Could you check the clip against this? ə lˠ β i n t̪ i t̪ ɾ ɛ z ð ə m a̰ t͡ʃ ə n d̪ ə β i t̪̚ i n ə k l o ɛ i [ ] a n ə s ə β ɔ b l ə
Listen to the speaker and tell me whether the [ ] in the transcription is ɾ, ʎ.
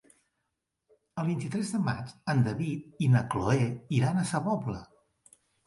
ɾ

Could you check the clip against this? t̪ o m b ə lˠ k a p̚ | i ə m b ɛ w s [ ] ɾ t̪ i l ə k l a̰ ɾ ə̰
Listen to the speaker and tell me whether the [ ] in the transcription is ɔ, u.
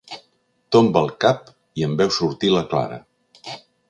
u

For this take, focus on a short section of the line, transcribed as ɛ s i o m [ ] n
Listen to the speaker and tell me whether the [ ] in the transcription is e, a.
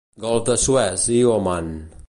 a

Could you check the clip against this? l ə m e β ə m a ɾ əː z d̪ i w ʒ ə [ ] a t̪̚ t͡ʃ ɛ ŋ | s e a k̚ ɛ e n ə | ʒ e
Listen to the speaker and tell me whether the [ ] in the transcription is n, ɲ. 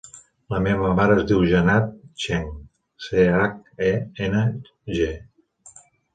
n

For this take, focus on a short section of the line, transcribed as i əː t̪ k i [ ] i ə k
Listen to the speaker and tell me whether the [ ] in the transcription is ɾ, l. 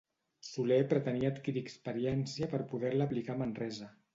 ɾ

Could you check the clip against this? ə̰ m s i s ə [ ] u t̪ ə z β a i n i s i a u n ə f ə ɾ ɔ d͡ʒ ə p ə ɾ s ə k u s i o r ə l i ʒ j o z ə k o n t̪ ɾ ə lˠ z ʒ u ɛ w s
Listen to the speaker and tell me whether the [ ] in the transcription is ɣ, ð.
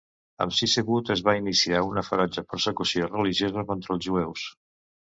ɣ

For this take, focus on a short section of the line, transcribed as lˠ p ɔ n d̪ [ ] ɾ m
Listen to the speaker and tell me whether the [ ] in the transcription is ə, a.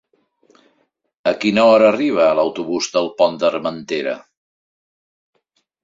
ə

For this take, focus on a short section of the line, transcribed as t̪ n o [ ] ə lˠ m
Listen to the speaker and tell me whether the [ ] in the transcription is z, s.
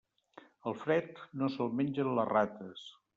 s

